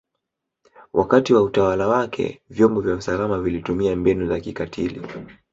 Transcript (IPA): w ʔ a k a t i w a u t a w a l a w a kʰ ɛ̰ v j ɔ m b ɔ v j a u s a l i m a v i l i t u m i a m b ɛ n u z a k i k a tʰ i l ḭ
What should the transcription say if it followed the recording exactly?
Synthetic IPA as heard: w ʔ a k a t i w a u t a w a l a w a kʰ ɛ̰ v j ɔ m b ɔ v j a u s a l a m a v i l i t u m i a m b ɛ n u z a k i k a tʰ i l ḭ